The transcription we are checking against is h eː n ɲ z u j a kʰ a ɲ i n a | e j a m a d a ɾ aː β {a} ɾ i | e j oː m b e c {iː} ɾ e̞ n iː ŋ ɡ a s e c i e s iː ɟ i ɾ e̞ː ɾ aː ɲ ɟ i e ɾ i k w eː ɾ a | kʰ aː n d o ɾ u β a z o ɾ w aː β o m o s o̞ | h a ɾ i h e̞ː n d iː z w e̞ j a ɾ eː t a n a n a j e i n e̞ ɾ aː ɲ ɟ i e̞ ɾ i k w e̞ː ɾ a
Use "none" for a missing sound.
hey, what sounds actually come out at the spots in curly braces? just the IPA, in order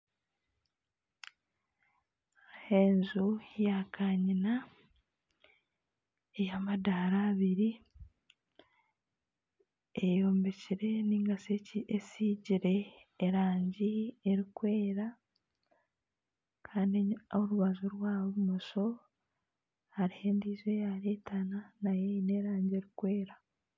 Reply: i, i

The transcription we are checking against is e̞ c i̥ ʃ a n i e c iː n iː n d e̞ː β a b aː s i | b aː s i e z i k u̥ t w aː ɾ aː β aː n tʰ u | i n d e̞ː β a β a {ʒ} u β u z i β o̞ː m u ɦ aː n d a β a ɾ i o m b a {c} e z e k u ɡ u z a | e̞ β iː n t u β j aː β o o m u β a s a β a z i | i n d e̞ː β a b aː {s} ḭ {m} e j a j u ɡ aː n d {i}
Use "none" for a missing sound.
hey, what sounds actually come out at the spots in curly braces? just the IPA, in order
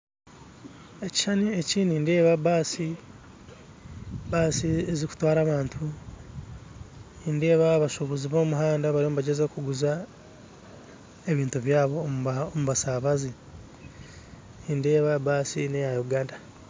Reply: ʃ, ɟ, s, n, a

